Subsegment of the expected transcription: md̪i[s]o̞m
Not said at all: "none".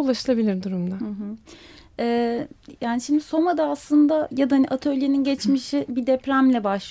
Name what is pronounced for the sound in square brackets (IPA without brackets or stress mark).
s